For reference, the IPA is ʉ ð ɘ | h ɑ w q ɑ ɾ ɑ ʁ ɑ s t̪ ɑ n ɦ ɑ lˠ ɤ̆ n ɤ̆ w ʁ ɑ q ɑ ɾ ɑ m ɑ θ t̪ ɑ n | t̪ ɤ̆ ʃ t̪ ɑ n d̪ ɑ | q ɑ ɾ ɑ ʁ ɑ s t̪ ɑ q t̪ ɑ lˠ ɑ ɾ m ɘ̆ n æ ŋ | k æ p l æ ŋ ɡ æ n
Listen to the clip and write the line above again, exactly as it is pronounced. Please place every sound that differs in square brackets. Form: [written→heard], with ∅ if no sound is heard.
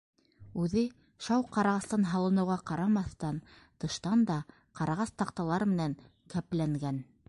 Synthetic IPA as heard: ʉ ð ɘ | [h→ʃ] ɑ w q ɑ ɾ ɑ ʁ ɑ s t̪ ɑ n ɦ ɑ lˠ ɤ̆ n ɤ̆ w ʁ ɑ q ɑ ɾ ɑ m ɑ θ t̪ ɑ n | t̪ ɤ̆ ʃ t̪ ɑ n d̪ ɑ | q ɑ ɾ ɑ ʁ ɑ s t̪ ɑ q t̪ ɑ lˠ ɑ ɾ m ɘ̆ n æ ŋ | k æ p l æ ŋ ɡ æ n